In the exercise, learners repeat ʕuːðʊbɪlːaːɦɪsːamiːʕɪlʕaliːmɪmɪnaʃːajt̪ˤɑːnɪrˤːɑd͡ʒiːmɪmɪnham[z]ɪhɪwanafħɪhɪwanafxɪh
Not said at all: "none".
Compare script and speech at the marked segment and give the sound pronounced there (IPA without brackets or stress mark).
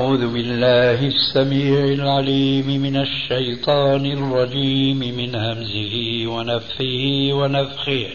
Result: z